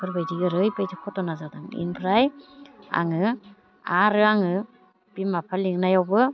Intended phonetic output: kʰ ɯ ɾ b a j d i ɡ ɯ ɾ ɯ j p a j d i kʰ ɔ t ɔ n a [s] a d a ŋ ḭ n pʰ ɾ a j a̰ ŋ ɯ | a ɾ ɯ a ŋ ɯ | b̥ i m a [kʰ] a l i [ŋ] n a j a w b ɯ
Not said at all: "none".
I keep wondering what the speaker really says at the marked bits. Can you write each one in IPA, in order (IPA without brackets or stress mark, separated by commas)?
z, pʰ, ŋ